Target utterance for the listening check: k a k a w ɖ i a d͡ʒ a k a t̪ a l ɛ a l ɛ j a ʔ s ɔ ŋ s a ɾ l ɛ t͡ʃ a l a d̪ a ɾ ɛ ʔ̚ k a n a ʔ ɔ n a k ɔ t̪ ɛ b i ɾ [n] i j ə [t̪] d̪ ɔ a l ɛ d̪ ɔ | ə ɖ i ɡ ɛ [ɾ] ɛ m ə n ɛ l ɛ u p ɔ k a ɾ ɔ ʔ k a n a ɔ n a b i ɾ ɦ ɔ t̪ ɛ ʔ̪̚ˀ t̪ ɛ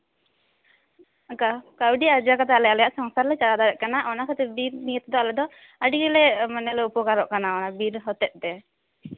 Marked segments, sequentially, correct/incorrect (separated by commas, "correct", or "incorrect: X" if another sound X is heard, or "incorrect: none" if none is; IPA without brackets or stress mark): correct, correct, incorrect: l